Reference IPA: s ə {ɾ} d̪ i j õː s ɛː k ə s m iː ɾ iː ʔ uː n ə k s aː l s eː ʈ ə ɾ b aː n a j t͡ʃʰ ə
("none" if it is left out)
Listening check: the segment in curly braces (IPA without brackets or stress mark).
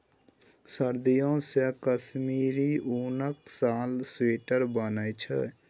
ɾ